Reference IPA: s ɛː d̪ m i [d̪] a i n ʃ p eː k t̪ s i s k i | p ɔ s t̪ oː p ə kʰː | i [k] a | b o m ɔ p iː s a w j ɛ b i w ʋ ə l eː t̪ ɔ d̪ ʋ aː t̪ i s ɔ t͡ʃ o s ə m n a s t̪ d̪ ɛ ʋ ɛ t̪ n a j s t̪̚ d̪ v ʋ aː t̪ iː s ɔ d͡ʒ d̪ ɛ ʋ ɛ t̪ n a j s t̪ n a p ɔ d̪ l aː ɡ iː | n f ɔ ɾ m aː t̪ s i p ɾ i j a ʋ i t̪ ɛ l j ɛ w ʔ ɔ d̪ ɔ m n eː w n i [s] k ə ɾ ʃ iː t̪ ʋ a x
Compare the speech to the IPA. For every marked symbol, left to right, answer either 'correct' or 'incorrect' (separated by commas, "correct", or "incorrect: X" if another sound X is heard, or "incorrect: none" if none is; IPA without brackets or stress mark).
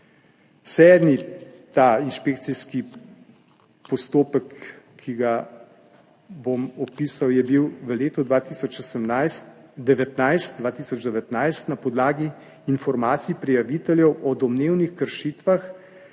incorrect: t̪, incorrect: ɡ, incorrect: x